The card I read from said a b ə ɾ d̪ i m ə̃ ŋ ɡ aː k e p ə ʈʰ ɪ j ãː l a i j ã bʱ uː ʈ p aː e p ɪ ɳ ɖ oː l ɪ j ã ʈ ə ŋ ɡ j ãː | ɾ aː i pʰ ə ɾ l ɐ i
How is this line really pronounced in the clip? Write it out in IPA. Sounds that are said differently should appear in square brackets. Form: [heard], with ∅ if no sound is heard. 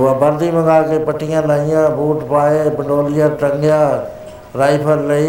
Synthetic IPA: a b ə ɾ d̪ i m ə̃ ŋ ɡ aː k e p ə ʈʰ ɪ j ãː l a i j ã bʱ uː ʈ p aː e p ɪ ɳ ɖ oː l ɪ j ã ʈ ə ŋ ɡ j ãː | ɾ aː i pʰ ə ɾ l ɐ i